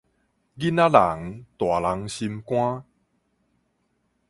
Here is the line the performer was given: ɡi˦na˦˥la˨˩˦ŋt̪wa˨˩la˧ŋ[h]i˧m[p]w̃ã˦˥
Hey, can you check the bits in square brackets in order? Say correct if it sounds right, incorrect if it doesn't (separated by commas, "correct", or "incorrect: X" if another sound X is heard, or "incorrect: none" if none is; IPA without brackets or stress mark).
incorrect: ɕ, incorrect: k